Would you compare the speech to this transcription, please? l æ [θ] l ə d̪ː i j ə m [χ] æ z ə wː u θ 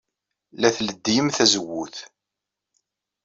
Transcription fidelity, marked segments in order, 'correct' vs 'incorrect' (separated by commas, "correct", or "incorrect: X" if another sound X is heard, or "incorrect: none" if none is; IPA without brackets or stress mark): correct, incorrect: θ